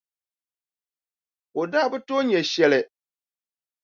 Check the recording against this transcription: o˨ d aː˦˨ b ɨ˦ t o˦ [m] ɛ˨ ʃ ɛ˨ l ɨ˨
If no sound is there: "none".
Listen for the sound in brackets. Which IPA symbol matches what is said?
ɲ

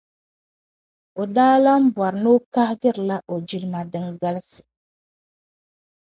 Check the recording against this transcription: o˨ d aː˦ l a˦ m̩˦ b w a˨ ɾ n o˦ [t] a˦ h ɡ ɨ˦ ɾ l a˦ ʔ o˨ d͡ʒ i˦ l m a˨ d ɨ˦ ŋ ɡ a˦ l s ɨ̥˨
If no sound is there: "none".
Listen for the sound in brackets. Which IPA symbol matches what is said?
k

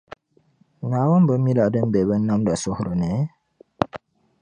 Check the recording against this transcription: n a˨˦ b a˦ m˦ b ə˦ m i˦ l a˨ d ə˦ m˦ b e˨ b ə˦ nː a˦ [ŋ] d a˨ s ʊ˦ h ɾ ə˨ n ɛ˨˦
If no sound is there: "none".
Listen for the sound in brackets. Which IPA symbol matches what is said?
m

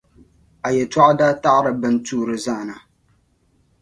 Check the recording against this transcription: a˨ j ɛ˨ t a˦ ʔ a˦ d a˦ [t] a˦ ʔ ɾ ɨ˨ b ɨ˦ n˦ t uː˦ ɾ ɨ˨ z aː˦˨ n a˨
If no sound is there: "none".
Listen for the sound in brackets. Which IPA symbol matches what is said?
t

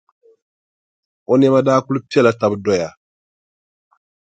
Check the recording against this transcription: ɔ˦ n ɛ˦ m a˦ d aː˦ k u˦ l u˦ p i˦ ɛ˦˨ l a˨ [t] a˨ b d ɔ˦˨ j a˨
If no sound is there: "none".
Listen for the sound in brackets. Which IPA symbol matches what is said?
t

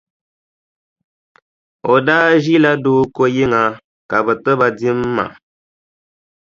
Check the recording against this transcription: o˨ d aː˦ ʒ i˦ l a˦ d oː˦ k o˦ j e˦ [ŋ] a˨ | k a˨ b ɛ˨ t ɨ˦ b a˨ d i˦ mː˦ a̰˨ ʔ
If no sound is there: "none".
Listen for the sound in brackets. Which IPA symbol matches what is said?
ŋ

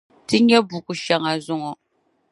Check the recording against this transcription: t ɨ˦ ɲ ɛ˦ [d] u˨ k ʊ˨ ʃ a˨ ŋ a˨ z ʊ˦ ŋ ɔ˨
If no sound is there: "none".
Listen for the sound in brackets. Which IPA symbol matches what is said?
b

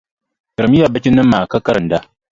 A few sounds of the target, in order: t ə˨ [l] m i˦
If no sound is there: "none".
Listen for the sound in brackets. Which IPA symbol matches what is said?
ɾ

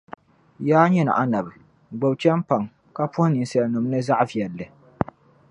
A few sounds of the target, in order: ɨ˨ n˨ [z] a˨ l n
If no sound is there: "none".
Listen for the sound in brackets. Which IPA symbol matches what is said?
s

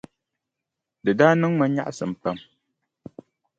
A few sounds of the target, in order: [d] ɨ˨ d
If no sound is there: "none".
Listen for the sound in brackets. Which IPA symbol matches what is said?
d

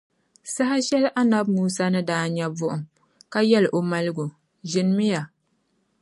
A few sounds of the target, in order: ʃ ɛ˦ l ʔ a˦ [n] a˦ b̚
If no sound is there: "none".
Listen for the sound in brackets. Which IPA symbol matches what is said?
n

